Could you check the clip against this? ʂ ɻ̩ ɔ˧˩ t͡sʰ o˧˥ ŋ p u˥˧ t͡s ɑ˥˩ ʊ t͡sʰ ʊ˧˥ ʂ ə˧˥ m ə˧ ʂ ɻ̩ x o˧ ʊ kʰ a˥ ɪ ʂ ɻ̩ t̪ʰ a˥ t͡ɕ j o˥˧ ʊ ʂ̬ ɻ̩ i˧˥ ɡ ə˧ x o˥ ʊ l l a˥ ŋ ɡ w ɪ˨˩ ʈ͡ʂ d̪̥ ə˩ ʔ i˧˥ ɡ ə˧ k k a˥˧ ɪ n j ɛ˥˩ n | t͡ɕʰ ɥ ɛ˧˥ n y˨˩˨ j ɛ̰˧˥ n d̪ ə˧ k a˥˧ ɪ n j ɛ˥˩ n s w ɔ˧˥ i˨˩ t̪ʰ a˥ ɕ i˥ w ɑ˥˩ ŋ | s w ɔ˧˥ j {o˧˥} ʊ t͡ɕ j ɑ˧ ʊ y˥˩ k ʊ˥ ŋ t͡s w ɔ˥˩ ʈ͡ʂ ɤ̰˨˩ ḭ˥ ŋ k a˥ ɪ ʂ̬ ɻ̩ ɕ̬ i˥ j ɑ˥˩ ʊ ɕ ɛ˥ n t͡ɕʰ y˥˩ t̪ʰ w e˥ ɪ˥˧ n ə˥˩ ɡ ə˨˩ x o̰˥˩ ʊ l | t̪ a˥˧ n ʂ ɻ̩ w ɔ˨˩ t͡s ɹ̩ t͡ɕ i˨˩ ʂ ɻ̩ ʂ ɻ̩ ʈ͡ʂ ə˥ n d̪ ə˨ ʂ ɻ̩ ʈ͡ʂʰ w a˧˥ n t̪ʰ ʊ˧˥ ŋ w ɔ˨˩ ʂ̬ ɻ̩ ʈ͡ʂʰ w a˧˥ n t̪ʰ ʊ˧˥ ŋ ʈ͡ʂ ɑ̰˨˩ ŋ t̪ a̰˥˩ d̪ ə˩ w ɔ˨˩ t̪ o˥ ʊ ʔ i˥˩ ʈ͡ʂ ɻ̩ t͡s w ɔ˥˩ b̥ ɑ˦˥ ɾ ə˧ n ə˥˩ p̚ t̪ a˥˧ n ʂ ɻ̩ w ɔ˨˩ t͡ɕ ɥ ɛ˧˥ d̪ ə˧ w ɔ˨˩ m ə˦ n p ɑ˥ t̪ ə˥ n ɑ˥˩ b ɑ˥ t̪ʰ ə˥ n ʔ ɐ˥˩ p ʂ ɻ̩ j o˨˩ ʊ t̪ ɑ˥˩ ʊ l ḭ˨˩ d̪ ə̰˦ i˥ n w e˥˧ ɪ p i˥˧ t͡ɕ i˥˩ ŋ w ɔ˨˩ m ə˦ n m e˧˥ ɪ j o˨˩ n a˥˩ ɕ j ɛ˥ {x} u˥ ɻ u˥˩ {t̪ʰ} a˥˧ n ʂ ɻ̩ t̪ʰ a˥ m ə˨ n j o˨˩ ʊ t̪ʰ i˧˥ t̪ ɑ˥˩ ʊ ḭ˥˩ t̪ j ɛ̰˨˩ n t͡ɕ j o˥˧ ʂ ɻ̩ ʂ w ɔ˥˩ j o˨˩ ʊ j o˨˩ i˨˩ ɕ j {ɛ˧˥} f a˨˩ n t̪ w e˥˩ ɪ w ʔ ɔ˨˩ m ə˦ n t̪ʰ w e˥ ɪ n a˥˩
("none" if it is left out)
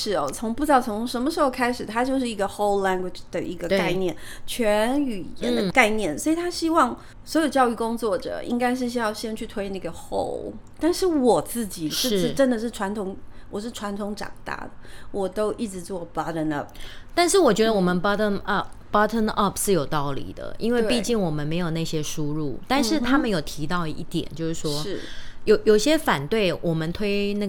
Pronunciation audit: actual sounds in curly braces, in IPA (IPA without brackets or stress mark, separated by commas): o˨˩, ʂ, t̪, ɛ˥